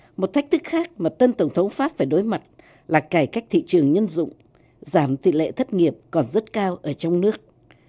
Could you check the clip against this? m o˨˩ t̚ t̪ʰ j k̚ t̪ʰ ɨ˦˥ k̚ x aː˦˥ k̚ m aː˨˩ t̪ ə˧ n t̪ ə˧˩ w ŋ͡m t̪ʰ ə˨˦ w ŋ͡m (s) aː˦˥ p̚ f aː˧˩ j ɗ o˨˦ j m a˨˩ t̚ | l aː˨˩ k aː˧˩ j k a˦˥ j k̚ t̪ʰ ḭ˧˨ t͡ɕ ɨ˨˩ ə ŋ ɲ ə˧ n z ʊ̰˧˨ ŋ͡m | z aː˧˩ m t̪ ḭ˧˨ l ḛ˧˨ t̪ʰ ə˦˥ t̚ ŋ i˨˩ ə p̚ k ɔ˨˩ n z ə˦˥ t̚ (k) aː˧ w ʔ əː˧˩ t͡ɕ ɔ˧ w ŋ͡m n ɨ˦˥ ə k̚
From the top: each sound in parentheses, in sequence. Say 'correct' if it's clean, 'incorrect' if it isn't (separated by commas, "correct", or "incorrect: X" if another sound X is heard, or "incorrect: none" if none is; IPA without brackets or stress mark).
incorrect: f, correct